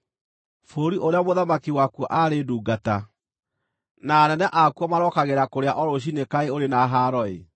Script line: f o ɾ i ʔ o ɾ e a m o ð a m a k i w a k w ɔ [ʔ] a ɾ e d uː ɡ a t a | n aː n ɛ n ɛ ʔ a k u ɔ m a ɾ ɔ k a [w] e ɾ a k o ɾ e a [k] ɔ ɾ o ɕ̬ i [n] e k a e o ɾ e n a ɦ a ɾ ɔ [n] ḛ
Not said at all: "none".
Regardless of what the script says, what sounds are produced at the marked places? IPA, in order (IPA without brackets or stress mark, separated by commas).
ʔ, ɣ, ʔ, n, none